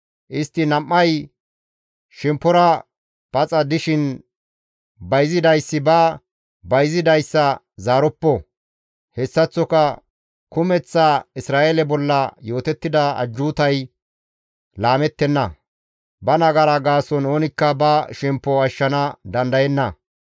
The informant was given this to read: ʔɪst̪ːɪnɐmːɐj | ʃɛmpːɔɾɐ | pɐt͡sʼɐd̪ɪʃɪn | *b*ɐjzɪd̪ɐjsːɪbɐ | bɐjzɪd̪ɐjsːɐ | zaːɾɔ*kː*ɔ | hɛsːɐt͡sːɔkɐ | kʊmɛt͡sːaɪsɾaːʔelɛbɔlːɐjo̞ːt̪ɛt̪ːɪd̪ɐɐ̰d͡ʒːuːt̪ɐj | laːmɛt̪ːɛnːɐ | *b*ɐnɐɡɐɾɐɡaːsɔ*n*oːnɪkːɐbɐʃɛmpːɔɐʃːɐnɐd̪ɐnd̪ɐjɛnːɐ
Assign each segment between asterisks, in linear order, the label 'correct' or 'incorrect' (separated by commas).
correct, incorrect, correct, correct